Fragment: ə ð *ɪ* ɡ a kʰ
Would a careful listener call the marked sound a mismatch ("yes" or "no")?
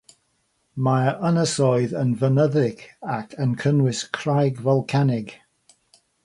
no